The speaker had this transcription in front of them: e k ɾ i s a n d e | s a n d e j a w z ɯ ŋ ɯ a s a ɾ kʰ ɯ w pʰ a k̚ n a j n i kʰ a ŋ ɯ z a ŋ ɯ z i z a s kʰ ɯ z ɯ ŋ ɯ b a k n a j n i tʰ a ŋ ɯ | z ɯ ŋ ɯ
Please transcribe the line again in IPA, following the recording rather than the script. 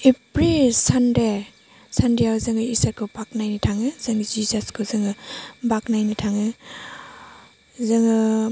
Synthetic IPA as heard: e p ɾ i s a n d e | s a n d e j a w z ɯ ŋ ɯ i s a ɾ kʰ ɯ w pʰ a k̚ n a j n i tʰ a ŋ ɯ z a ŋ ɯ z i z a s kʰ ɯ z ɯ ŋ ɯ b a k n a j n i tʰ a ŋ ɯ | z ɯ ŋ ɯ